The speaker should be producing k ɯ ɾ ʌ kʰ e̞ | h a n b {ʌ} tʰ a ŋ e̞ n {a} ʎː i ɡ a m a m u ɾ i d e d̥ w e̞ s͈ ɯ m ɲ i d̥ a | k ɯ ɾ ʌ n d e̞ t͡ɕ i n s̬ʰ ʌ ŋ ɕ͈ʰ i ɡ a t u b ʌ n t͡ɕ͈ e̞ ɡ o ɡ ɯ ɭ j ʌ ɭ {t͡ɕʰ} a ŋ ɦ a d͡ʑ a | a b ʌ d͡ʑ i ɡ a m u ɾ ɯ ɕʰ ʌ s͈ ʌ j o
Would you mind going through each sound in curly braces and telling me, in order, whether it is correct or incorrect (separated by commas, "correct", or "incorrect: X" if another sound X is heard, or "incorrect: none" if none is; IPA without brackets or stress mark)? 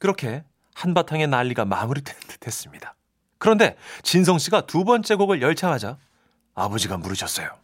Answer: incorrect: a, correct, correct